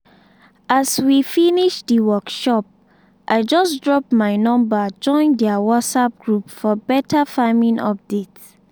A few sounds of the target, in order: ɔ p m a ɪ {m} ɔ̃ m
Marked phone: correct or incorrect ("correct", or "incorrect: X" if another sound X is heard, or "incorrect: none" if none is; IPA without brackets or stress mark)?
incorrect: n